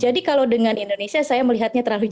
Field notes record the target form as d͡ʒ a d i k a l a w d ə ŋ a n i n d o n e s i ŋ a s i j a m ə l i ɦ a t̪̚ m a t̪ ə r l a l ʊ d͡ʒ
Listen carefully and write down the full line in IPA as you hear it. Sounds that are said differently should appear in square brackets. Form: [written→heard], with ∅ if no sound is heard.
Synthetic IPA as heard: d͡ʒ a d i k a l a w d ə ŋ a n i n d o n e s i [ŋ→∅] a s [i→a] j a m ə l i ɦ a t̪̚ [m→ɲ] a t̪ ə r l a l [ʊ→u] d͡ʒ

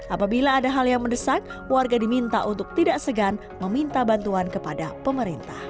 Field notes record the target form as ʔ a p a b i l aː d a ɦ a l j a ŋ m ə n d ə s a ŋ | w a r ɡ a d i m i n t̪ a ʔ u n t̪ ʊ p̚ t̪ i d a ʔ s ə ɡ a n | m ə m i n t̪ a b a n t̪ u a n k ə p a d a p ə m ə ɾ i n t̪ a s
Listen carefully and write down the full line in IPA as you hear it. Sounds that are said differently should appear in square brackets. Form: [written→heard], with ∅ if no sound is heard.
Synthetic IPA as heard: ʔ a p a b i l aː d a ɦ a l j a ŋ m ə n d ə s a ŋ | w a r ɡ a d i m i n t̪ a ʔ u n t̪ ʊ [p̚→k̚] t̪ i d a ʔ s ə ɡ a n | m ə m i n t̪ a b a n t̪ u a n k ə p a d a p ə m ə ɾ i n t̪ a [s→h]

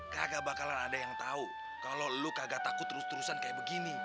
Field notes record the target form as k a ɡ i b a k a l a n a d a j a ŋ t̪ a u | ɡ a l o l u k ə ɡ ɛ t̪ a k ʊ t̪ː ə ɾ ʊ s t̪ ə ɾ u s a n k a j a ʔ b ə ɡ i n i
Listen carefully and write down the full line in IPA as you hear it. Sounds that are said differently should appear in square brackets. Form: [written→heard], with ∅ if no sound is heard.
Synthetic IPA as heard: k a ɡ [i→a] b a k a l a n a d a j a ŋ t̪ a u | [ɡ→k] a l o l u k [ə→a] ɡ [ɛ→a] t̪ a k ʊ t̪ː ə ɾ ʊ s t̪ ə ɾ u s a n k a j a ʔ b ə ɡ i n i

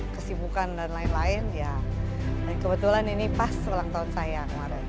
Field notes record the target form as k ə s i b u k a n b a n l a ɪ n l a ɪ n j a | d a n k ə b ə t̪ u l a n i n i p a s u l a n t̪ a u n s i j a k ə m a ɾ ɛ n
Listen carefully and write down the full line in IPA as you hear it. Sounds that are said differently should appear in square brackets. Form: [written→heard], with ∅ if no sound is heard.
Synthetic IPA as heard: k ə s i b u k a n [b→d] a n l a ɪ n l a ɪ n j a | d a n k ə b ə t̪ u l a n i n i p a s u l a [n→ŋ] t̪ a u n s [i→a] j a k ə m a ɾ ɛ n

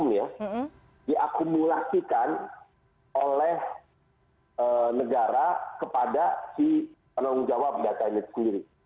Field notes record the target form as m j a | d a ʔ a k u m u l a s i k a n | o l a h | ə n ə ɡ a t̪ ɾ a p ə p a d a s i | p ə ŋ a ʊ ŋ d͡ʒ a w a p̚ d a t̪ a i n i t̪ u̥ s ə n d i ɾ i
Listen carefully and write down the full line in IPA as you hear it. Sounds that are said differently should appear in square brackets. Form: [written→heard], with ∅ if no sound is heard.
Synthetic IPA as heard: m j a | d [a→i] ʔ a k u m u l a s i k a n | o l [a→ɛ] h | ə n ə ɡ a [t̪→∅] ɾ a [p→k] ə p a d a s i | p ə [ŋ→n] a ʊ ŋ d͡ʒ a w a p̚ d a t̪ a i n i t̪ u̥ s ə n d i ɾ i

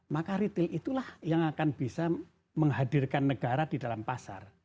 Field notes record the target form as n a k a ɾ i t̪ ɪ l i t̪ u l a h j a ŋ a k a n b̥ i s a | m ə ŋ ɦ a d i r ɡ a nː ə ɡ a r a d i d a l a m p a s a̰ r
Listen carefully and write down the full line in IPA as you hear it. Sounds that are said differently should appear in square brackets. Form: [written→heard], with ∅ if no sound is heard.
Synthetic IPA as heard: [n→m] a k a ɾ i t̪ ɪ l i t̪ u l a h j a ŋ a k a n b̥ i s a | m ə ŋ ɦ a d i r [ɡ→k] a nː ə ɡ a [r→ɾ] a d i d a l a m p a s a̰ r

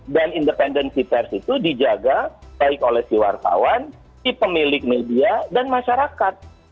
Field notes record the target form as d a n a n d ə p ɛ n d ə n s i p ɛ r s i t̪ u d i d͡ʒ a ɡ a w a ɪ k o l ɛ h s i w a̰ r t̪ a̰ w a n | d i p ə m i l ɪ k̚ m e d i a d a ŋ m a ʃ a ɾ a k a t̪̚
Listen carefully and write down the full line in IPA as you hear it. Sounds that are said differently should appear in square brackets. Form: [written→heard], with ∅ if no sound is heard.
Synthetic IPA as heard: d a n [a→i] n d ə p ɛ n d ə n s i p ɛ r s i t̪ u d i d͡ʒ a ɡ a [w→b] a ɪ k o l ɛ h s i w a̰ r t̪ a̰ w a n | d i p ə m i l ɪ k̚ m e d i a d a [ŋ→n] m a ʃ a ɾ a k a t̪̚

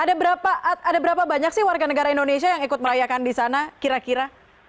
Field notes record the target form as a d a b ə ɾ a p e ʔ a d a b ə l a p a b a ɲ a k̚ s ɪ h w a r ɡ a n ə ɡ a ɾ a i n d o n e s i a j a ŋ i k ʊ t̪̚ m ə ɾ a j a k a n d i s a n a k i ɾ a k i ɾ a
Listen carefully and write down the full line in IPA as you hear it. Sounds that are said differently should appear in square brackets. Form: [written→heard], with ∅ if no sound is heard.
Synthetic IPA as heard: a d a b ə ɾ a p [e→a] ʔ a d a b ə [l→ɾ] a p a b a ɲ a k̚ s ɪ h w a r ɡ a n ə ɡ a ɾ a i n d o n e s i a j a ŋ i k ʊ t̪̚ m ə ɾ a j a k a n d i s a n a k i ɾ a k i ɾ a

